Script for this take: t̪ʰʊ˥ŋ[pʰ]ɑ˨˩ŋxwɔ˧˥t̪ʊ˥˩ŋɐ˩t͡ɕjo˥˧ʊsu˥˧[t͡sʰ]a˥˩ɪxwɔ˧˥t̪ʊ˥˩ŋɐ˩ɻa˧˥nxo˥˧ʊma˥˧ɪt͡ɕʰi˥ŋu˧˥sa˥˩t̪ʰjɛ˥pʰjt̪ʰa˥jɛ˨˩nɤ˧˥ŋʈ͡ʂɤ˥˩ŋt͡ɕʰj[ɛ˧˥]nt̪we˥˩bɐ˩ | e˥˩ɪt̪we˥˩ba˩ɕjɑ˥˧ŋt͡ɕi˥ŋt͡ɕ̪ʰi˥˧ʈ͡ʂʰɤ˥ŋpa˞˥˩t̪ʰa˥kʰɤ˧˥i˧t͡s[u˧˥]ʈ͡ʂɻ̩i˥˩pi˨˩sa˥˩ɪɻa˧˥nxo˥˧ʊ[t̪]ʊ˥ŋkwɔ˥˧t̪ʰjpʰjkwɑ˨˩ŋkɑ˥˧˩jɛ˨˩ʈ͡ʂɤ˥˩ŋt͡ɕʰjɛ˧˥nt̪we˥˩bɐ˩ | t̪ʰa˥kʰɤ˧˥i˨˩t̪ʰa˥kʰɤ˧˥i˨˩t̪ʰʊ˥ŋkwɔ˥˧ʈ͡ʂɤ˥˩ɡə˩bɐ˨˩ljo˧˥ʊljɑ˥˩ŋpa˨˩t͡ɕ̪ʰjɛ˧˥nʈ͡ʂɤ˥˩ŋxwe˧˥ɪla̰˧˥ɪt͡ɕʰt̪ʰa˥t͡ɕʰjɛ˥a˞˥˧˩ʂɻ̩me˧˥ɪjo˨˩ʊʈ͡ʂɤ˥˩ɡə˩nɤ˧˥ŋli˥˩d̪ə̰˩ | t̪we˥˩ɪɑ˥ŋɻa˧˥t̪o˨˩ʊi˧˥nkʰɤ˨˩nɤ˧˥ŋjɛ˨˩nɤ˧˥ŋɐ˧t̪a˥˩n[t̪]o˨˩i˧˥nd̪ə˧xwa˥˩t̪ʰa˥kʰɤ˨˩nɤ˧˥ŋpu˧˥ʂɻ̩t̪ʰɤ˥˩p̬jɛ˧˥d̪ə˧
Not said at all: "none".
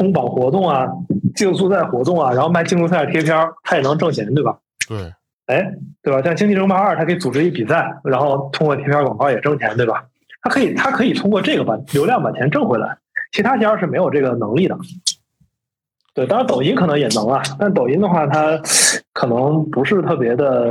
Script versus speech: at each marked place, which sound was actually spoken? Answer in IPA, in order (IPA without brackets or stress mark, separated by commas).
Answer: p, t͡s, ɛ˧˥, u˨˩, t̪ʰ, t̪